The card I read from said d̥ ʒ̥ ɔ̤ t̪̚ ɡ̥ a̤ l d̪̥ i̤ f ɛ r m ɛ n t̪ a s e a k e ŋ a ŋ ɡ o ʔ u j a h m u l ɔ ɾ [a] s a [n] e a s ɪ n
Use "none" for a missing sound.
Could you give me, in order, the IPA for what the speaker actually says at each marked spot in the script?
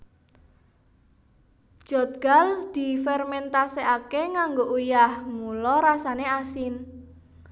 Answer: a, n

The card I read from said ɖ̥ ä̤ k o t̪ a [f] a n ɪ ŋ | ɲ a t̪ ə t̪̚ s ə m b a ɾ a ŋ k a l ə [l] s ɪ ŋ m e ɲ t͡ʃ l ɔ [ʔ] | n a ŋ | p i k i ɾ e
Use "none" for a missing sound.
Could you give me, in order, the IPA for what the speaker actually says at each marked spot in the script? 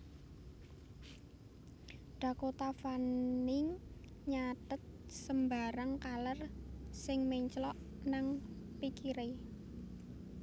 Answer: f, r, ʔ

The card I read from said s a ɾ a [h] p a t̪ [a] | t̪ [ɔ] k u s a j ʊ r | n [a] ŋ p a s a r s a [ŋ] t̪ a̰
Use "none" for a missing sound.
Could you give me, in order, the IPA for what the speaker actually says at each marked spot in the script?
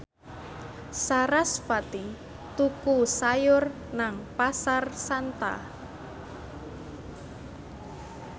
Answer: s, i, u, a, n

